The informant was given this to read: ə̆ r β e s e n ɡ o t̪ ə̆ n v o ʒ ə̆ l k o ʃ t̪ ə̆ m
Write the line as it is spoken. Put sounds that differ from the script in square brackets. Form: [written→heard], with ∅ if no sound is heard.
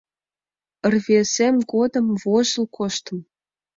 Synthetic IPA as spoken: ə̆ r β e s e [n→m] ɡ o [t̪→d̪] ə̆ [n→m] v o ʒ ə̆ l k o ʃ t̪ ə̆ m